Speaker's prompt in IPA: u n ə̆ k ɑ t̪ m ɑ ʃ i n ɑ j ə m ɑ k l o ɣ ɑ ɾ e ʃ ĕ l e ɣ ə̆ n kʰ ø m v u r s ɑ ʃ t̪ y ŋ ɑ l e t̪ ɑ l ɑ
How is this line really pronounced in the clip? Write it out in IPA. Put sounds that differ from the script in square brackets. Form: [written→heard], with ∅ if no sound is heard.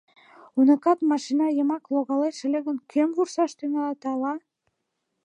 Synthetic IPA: u n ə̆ k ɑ t̪ m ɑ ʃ i n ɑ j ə m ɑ k l o ɣ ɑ [ɾ→l] e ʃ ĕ l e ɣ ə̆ n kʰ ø m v u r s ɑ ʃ t̪ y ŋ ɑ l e t̪ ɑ l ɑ